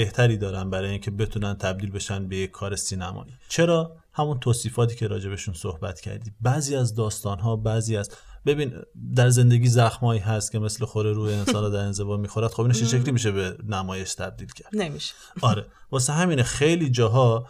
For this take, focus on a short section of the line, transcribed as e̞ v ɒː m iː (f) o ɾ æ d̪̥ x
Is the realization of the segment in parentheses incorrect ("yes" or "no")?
yes